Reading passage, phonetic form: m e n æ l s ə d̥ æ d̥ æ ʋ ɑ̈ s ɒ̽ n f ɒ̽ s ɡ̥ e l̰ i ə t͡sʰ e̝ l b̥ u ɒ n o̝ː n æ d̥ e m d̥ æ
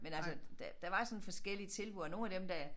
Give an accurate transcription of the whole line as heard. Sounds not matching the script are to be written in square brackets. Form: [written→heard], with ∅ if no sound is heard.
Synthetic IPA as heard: m e n æ l s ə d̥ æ d̥ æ ʋ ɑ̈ s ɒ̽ n f ɒ̽ s ɡ̥ e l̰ i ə t͡sʰ e̝ l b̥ u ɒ n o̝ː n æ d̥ e m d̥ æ